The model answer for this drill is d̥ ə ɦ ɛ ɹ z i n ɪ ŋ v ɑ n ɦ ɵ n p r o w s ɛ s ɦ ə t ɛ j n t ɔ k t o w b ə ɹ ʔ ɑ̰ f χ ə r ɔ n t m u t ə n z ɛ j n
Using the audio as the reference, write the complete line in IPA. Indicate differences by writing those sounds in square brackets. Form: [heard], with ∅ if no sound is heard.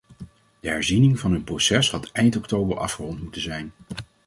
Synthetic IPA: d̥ ə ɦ ɛ ɹ z i n ɪ ŋ v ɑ n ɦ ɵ n p r o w s ɛ s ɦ [ɑ] t ɛ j n t ɔ k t o w b ə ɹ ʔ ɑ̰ f χ ə r ɔ n t m u t ə n z ɛ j n